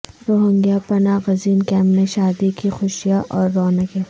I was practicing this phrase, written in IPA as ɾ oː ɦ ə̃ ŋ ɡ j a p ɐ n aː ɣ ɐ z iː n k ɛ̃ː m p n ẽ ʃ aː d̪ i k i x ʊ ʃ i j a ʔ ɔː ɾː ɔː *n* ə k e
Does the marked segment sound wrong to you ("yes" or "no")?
no